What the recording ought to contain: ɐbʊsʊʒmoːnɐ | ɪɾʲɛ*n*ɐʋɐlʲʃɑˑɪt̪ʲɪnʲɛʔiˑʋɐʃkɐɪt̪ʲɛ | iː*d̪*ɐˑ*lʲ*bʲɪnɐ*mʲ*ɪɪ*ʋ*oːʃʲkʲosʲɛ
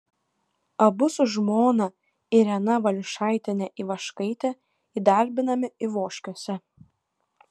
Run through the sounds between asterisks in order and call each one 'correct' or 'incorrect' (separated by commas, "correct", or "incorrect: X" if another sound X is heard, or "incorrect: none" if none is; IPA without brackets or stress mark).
correct, correct, incorrect: ɾʲ, correct, correct